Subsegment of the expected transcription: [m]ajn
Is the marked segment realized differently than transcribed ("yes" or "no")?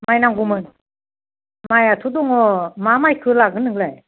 no